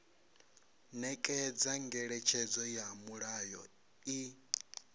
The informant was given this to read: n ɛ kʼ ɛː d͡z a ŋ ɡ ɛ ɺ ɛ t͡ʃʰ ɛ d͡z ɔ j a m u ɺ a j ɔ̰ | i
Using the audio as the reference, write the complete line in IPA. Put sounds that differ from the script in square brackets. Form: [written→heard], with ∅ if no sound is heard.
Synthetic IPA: n ɛ kʼ [ɛː→ɛ] d͡z a ŋ ɡ ɛ ɺ ɛ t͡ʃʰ ɛ d͡z ɔ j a m u ɺ a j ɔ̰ | i